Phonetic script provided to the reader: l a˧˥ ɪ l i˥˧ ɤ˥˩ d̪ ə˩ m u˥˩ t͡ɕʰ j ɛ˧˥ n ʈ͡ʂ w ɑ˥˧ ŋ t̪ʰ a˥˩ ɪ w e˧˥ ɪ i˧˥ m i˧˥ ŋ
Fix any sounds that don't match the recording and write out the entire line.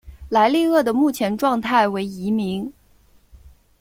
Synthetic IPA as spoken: l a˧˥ ɪ l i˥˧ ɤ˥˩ d̪ ə˩ m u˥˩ t͡ɕʰ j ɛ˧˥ n ʈ͡ʂ w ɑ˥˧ ŋ t̪ʰ a˥˩ ɪ w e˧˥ ɪ i˧˥ m i˧˥ ŋ